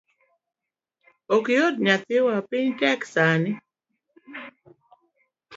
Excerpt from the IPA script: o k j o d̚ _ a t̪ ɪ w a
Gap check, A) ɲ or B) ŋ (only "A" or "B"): A